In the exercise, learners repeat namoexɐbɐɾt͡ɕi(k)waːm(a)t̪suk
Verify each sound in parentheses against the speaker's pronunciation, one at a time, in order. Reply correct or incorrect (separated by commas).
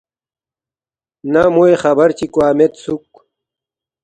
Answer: correct, incorrect